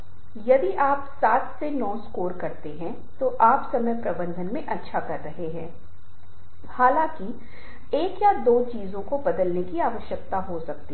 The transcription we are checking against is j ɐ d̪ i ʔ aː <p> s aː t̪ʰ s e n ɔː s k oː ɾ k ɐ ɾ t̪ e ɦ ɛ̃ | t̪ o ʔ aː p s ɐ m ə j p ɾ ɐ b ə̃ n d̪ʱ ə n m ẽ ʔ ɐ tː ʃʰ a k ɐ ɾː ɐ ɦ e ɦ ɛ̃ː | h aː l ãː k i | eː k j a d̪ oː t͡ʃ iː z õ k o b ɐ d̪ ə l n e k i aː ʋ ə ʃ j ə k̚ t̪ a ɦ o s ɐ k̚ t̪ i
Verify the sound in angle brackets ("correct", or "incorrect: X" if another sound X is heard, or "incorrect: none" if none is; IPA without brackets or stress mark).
correct